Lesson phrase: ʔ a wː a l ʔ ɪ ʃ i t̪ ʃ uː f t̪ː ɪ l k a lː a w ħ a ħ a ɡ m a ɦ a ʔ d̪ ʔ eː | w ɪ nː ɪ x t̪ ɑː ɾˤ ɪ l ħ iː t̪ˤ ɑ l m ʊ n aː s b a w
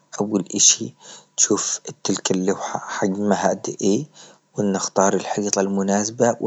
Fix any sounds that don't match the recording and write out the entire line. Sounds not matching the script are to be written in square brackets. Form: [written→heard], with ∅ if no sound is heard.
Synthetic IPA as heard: ʔ a wː a l ʔ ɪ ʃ i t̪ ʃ uː f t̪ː ɪ l k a lː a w ħ a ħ a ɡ m a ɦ a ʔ d̪ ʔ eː | w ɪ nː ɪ x t̪ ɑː ɾˤ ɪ l ħ iː t̪ˤ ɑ l m ʊ n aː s b a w